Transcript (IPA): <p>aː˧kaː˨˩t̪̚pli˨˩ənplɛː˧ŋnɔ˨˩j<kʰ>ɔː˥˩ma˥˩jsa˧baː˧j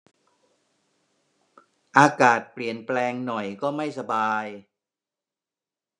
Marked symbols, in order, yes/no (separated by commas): no, no